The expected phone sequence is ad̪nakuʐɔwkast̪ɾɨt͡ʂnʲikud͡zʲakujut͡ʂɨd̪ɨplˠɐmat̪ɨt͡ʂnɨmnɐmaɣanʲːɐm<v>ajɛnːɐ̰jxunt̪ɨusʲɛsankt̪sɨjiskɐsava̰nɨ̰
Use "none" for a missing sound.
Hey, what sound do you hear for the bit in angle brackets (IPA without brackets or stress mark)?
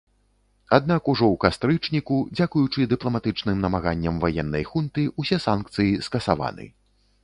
v